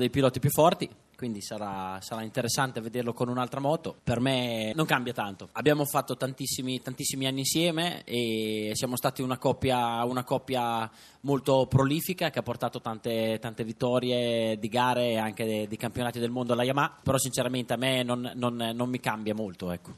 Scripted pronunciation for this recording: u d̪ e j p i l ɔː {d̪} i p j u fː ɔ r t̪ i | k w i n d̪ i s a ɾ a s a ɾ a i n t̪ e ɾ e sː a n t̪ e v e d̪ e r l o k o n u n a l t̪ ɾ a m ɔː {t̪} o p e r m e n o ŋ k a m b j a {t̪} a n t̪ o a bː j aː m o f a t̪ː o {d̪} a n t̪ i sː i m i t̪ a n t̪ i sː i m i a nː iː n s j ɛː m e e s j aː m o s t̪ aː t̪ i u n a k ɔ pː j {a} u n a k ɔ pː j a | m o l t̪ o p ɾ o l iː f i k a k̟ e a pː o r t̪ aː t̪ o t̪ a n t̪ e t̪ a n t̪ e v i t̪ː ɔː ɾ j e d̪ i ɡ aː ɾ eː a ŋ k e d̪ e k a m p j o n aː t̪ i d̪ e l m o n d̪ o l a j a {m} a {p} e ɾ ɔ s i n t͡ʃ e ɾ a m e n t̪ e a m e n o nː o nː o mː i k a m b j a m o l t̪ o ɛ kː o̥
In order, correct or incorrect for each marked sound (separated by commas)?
incorrect, correct, correct, incorrect, correct, correct, correct